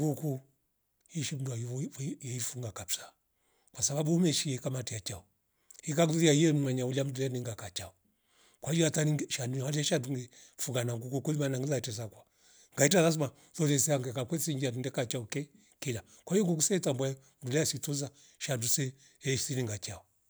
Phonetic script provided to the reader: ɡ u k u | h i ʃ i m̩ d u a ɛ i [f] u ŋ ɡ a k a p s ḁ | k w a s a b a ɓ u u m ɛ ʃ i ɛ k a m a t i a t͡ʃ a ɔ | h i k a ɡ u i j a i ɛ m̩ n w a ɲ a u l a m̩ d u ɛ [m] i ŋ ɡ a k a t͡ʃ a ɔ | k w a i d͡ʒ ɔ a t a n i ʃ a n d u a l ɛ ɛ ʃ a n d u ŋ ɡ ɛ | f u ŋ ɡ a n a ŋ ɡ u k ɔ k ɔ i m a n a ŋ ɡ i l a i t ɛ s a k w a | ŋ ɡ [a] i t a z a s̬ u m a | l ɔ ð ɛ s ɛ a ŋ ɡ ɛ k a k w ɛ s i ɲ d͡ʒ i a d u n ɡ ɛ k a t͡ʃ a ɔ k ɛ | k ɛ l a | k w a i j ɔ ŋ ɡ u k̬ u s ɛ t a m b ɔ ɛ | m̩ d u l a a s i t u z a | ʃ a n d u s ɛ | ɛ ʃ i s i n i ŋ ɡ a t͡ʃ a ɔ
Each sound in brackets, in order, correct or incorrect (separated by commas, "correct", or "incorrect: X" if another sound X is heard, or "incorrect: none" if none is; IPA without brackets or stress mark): correct, incorrect: n, correct